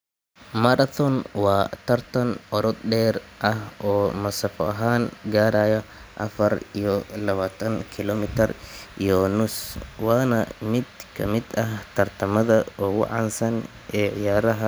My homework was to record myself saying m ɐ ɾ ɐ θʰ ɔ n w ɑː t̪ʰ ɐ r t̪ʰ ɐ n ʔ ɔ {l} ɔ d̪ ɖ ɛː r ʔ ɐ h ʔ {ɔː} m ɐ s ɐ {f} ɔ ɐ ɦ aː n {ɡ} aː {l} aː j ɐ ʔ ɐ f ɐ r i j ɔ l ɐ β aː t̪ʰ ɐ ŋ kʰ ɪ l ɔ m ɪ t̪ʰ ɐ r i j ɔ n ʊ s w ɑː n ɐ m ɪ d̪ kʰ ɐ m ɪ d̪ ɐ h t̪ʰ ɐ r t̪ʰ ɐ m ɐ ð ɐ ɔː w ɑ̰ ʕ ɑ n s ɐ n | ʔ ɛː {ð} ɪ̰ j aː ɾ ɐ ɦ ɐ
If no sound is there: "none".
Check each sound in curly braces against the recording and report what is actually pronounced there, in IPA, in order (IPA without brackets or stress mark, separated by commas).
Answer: ɾ, ɔː, f, ɡ, ɾ, ʕ